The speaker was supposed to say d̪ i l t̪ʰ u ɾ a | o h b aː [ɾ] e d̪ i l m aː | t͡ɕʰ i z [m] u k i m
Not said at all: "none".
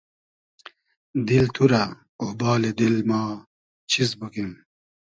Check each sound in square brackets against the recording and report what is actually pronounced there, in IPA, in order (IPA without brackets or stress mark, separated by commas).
l, b